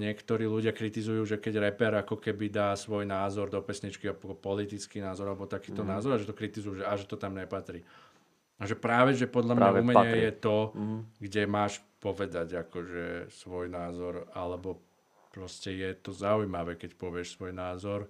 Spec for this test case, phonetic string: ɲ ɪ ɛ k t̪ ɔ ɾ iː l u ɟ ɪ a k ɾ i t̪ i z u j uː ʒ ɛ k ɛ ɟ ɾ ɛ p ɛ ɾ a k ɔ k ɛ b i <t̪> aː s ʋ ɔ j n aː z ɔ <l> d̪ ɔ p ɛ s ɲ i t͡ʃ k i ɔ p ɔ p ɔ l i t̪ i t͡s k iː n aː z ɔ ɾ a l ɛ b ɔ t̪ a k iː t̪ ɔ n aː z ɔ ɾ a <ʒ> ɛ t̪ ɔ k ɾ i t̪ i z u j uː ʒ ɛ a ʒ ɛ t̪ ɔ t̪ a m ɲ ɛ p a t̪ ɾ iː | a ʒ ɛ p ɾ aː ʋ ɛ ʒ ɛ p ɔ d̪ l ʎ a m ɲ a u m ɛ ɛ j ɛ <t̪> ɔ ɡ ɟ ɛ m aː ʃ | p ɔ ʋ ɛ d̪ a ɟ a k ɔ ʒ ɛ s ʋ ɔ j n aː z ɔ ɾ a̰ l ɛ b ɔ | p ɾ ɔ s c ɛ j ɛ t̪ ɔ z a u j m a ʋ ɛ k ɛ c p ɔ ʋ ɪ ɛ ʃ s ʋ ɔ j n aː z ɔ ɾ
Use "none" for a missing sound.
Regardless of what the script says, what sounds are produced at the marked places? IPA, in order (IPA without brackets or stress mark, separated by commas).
d̪, ɾ, ʒ, t̪